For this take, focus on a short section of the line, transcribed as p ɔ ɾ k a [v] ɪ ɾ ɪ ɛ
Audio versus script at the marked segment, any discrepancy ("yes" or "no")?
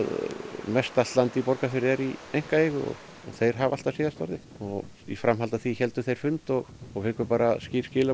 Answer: yes